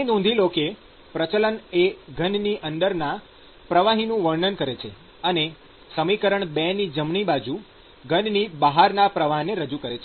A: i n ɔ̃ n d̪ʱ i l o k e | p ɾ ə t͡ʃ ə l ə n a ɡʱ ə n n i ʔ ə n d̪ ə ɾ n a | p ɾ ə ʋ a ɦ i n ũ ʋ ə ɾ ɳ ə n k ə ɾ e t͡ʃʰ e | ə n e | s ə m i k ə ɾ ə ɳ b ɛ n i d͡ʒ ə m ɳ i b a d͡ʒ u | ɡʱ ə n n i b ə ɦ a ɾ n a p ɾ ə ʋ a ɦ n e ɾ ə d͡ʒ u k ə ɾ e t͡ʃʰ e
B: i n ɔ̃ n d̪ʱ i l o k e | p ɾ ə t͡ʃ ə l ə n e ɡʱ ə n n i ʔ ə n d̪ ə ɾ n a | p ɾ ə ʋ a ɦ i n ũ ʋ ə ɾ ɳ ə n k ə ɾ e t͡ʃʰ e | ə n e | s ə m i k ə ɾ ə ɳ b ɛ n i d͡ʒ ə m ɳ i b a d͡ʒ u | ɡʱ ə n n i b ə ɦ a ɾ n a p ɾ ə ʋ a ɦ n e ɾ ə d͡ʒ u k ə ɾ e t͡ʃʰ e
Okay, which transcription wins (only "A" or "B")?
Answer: B